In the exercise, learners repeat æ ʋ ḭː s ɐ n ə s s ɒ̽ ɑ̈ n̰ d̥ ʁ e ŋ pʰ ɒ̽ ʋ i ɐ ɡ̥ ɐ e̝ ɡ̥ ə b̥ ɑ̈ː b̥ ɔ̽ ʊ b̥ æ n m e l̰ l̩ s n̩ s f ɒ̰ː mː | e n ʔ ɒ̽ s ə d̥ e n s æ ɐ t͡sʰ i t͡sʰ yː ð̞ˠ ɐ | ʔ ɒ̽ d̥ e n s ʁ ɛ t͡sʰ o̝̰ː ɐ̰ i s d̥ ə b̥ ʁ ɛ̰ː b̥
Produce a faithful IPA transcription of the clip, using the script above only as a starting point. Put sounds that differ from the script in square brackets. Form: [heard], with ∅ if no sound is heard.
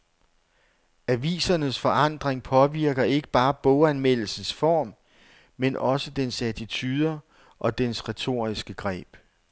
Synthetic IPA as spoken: æ ʋ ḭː s ɐ n ə s [f] ɒ̽ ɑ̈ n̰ d̥ ʁ e ŋ pʰ ɒ̽ ʋ i ɐ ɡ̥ ɐ e̝ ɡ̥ ə b̥ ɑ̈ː b̥ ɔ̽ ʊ [∅] æ n m e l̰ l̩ s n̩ s f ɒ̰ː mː | e n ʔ ɒ̽ s ə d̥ e n s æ ɐ t͡sʰ i t͡sʰ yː ð̞ˠ ɐ | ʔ ɒ̽ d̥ e n s ʁ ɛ t͡sʰ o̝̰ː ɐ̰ i s [ɡ̥] ə [ɡ̥] ʁ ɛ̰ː b̥